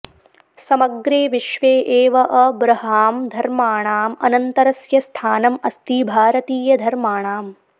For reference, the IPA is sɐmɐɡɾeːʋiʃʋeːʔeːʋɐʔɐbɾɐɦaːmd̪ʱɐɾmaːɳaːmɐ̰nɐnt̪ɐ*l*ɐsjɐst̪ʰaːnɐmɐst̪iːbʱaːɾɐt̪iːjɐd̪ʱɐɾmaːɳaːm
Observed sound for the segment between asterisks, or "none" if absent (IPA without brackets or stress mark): ɾ